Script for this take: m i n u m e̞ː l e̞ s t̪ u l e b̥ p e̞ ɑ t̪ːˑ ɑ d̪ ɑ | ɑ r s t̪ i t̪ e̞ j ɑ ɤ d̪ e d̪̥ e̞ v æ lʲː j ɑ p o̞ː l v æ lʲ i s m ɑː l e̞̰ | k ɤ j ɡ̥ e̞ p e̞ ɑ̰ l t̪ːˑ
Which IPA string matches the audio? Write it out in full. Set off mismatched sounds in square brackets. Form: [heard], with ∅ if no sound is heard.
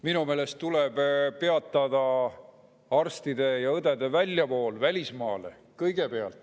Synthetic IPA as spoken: m i n u m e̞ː l e̞ s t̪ u l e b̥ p e̞ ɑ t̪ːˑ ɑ d̪ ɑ | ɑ r s t̪ i [d̪] e̞ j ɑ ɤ d̪ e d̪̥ e̞ v æ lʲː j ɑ p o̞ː l v æ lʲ i s m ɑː l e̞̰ | k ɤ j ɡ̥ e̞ p e̞ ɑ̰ l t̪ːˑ